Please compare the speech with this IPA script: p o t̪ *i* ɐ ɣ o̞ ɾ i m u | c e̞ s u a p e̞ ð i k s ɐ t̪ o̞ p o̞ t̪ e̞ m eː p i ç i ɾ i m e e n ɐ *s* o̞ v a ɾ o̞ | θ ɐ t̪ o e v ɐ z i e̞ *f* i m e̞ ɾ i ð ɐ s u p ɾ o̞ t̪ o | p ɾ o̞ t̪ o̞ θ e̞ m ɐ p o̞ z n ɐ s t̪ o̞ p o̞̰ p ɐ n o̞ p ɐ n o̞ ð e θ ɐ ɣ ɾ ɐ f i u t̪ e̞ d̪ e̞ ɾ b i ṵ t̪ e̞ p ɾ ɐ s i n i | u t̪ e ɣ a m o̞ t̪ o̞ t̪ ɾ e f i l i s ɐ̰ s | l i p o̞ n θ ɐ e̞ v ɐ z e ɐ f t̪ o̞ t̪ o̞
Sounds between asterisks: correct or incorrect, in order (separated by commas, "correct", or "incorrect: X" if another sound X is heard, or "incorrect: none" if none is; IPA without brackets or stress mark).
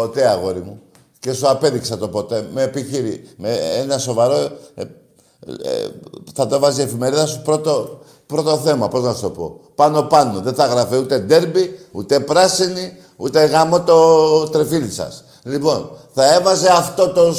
incorrect: e, correct, correct